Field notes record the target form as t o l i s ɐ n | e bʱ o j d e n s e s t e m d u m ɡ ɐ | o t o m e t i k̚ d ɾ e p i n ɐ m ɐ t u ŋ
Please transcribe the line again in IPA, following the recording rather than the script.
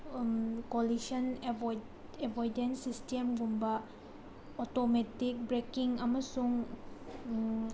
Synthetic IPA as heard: k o l i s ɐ n | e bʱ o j d e n s i s t e m ɡ u m b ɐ | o t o m e t i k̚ b ɾ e k i ŋ ɐ m ɐ s u ŋ